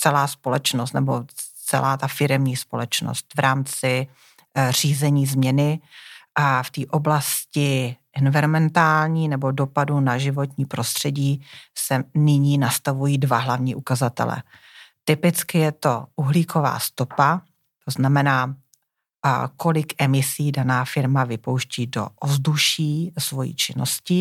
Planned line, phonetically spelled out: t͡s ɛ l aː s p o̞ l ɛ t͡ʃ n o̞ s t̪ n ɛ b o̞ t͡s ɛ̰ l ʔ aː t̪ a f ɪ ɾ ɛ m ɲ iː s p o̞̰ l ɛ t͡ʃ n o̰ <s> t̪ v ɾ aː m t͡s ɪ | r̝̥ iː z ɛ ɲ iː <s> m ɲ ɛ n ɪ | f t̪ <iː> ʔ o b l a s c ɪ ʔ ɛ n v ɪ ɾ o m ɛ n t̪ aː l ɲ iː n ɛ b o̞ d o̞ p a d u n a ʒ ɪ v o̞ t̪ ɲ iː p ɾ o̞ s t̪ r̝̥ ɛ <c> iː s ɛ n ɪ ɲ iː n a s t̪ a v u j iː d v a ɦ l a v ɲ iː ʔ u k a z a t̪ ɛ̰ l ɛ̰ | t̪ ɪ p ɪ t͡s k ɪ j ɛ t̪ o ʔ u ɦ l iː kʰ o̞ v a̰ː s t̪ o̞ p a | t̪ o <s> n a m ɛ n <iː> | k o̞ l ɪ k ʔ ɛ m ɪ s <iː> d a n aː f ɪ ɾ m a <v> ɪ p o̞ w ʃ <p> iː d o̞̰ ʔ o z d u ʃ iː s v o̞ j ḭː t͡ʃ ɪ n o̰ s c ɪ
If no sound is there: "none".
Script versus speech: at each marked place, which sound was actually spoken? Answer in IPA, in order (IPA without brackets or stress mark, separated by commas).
s, z, iː, ɟ, z, aː, iː, v, c